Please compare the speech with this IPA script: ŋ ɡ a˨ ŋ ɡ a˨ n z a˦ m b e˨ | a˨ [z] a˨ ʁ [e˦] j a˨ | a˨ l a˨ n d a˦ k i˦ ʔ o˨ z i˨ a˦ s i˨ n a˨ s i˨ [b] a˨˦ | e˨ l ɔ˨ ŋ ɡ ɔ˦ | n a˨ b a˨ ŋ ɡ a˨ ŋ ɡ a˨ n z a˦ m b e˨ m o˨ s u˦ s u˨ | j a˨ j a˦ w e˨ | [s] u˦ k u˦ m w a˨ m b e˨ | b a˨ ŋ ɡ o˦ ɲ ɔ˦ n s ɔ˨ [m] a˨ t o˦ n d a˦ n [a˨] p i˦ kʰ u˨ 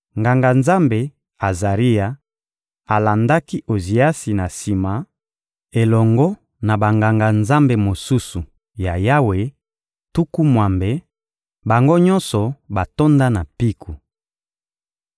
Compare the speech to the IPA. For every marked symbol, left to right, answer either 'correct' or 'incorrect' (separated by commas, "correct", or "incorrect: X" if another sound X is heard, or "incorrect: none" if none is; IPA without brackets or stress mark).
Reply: correct, incorrect: i˦, incorrect: m, incorrect: t, incorrect: b, correct